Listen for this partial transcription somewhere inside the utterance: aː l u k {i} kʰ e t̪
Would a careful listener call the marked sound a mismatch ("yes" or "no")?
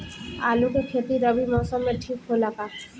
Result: yes